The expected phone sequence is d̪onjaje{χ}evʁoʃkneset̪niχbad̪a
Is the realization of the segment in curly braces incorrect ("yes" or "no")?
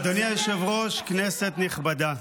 yes